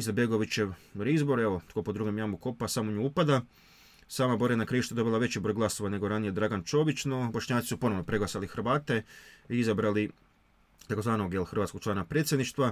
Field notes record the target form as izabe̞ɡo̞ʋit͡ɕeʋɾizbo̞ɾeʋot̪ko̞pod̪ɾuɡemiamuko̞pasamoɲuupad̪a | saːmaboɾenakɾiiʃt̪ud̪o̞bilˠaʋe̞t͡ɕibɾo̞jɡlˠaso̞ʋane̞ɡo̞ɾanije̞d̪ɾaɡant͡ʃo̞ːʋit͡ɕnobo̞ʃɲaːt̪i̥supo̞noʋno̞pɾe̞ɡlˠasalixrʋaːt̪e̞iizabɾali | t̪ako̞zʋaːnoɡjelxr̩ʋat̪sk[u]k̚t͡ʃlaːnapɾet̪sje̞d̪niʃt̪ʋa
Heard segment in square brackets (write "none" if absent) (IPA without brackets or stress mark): o